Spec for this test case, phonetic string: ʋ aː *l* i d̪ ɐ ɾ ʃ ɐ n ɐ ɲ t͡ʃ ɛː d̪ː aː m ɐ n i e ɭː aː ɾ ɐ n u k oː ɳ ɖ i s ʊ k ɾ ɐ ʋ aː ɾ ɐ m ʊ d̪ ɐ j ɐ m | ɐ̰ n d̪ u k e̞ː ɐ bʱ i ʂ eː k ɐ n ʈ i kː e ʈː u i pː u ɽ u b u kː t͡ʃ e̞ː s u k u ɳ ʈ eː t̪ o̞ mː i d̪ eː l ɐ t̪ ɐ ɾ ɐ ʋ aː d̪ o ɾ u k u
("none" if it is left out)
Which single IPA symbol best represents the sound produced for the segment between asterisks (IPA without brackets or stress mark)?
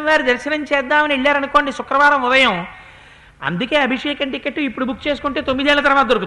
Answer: ɾ